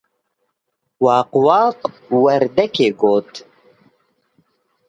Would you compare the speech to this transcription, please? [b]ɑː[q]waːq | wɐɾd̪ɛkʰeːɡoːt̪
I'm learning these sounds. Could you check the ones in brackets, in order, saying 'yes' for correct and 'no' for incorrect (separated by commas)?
no, yes